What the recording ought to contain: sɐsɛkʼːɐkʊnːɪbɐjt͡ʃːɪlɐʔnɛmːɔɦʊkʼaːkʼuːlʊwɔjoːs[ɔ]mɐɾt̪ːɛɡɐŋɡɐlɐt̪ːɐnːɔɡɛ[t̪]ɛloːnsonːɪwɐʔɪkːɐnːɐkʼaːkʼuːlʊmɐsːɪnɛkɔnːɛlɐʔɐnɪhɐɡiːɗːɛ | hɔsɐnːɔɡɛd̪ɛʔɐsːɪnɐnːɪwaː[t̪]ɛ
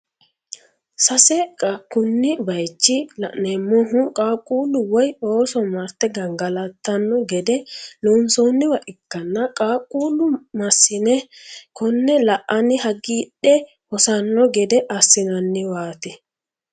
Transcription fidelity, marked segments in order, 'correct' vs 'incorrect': correct, incorrect: d̪, correct

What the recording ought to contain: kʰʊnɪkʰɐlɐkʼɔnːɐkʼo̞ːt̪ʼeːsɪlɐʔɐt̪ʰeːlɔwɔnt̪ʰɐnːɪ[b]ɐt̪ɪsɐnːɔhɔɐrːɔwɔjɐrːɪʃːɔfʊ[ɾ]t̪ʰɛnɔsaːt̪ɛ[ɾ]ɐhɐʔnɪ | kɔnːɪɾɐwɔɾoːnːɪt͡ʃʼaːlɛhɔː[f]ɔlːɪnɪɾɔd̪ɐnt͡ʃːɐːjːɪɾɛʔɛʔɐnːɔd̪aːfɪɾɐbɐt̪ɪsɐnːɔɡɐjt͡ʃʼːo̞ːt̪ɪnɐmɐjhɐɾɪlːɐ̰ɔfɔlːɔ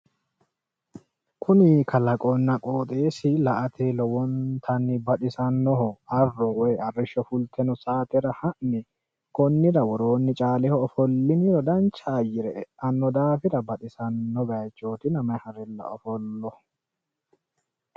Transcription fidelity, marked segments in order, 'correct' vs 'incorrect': correct, incorrect: l, correct, correct

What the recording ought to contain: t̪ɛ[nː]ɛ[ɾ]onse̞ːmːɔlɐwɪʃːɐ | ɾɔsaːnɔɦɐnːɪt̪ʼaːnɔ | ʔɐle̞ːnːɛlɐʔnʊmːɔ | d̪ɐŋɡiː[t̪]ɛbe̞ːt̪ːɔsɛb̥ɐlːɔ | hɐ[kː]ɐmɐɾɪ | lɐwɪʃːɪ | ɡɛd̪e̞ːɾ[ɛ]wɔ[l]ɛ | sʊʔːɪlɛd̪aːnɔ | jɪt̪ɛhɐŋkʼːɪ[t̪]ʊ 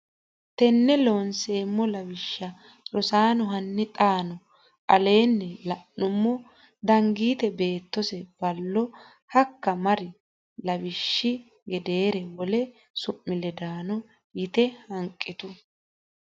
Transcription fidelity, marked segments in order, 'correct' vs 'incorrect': correct, incorrect: l, correct, correct, correct, correct, correct

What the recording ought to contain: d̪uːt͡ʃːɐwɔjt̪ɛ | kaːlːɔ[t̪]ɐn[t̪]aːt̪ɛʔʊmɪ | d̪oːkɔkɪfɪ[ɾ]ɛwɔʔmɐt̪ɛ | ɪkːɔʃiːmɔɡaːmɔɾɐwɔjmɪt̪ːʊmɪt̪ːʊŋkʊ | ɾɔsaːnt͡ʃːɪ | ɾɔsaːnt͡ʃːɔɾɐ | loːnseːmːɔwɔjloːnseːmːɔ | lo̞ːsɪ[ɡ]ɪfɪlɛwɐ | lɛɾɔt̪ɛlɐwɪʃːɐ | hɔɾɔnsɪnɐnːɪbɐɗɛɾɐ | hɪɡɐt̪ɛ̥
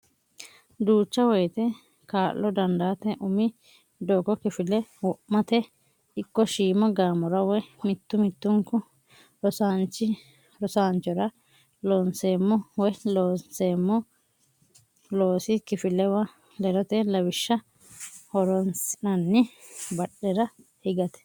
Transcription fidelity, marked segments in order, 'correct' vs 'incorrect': incorrect: d̪, incorrect: d̪, incorrect: l, incorrect: k

